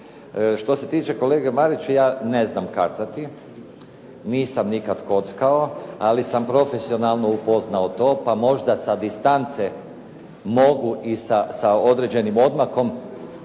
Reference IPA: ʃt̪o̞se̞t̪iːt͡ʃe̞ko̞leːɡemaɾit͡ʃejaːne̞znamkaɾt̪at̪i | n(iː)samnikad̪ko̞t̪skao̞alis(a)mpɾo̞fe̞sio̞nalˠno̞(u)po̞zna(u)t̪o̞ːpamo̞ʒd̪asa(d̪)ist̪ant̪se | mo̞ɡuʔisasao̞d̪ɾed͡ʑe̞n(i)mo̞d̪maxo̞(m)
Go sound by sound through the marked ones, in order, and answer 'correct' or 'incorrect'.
correct, correct, correct, incorrect, correct, correct, correct

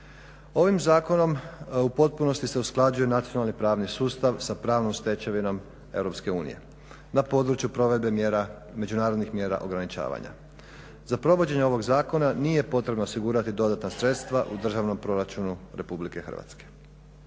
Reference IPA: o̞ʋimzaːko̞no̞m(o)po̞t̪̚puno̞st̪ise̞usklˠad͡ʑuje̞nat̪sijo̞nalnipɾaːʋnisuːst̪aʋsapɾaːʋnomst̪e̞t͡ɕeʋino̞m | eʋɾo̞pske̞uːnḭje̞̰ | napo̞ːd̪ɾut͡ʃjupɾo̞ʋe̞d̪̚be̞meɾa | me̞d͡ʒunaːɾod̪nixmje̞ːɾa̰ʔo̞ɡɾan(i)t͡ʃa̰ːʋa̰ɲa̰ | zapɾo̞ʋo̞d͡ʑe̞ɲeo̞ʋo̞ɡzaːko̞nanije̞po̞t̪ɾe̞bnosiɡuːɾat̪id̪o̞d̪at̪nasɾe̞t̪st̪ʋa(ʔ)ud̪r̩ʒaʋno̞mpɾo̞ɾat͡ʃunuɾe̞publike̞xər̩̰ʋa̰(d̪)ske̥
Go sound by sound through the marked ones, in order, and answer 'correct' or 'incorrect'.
incorrect, correct, correct, incorrect

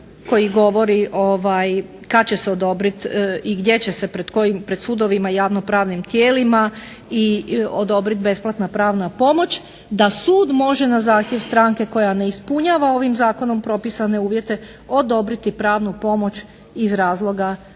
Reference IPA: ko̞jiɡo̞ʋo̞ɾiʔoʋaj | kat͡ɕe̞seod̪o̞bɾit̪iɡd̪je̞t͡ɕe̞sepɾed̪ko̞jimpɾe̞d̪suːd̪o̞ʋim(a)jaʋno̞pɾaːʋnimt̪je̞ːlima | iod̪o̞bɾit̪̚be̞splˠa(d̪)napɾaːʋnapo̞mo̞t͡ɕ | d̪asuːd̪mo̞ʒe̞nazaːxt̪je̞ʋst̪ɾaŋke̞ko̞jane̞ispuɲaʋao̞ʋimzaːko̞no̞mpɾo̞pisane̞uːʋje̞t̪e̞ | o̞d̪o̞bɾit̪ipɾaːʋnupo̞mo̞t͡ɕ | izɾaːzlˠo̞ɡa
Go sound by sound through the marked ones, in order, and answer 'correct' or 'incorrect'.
correct, incorrect

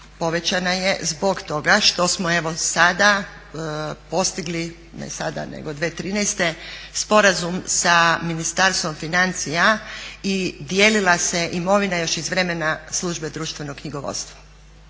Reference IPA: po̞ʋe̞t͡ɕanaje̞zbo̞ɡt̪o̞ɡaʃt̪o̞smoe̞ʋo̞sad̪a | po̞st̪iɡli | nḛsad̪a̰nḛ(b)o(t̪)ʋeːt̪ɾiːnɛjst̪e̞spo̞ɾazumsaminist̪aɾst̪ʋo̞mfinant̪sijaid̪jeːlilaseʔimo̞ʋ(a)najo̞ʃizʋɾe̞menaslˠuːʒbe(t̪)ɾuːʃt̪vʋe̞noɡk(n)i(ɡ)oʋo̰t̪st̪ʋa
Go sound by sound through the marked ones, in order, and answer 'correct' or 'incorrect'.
incorrect, incorrect, incorrect, incorrect, incorrect, correct

